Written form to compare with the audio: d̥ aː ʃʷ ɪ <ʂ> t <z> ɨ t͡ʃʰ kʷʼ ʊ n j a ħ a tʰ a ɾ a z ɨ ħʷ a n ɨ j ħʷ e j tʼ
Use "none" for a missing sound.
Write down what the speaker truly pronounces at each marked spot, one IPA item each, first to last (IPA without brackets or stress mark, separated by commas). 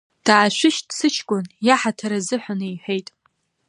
ʃ, s